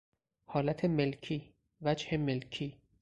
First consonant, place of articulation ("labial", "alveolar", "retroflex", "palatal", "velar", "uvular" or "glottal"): glottal